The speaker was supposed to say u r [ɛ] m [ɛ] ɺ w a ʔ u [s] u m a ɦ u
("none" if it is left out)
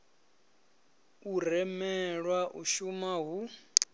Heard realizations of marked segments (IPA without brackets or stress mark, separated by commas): ɛ, ɛ, ʃ